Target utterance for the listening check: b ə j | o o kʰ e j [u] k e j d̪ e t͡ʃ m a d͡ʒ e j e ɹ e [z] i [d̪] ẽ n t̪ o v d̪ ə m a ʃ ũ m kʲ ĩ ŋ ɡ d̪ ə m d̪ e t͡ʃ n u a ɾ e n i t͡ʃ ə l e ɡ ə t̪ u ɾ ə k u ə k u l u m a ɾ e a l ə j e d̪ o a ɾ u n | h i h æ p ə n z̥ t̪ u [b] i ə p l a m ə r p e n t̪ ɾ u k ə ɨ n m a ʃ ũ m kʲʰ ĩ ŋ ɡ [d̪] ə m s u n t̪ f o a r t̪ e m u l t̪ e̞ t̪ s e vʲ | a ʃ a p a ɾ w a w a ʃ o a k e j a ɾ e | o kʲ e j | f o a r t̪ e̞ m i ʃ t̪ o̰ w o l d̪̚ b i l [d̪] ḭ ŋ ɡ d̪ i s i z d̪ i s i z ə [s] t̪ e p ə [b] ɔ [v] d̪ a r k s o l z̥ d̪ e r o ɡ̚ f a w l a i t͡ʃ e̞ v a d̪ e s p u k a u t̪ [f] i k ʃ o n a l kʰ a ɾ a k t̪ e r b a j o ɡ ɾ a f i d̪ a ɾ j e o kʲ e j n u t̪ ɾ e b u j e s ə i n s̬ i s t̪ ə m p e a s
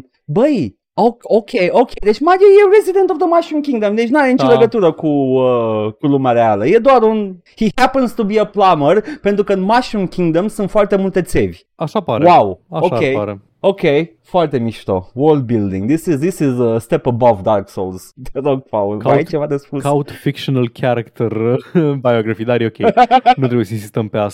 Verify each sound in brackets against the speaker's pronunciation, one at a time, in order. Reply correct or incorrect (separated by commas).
incorrect, correct, correct, correct, correct, correct, correct, correct, correct, correct